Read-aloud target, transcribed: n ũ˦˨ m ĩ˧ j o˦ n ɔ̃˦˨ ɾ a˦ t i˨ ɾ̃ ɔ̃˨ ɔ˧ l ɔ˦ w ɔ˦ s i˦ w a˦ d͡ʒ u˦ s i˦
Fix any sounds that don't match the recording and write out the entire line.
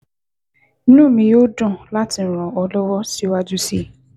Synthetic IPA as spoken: n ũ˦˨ m ĩ˧ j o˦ d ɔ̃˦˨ l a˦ t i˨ ɾ̃ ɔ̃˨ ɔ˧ l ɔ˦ w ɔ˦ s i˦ w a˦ d͡ʒ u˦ s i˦

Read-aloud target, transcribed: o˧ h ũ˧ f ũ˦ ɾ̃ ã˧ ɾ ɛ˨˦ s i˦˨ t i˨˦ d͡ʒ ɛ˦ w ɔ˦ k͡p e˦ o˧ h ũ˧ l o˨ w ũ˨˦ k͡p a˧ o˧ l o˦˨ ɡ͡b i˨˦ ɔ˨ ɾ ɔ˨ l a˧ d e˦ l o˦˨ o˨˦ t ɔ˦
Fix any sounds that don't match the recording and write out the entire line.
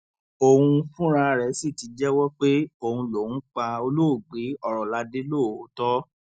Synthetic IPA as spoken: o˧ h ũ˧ f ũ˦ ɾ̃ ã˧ ɾ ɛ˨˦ s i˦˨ t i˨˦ d͡ʒ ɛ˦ w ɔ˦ k͡p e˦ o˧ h ũ˧ l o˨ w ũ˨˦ k͡p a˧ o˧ l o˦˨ ɡ͡b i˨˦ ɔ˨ ɾ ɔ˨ l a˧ d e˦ l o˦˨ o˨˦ t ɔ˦

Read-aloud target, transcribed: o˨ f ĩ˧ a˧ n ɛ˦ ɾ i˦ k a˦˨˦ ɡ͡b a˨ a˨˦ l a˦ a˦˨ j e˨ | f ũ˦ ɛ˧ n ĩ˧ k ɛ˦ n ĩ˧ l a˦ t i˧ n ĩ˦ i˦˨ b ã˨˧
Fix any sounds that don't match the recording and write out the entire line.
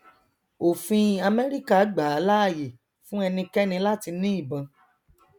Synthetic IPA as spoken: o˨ f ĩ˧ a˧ m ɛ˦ ɾ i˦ k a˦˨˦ ɡ͡b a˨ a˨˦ l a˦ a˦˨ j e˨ | f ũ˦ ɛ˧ n ĩ˧ k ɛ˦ n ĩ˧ l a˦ t i˧ n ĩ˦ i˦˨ b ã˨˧

